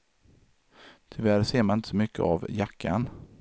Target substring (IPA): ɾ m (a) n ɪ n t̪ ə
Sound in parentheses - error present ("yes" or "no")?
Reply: no